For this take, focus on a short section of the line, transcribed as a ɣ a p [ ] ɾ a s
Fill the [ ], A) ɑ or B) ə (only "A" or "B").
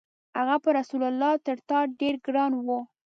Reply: B